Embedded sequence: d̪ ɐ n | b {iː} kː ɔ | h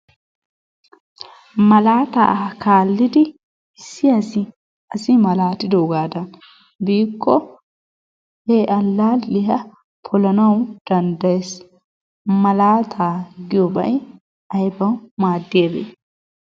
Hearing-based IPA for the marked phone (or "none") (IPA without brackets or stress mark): iː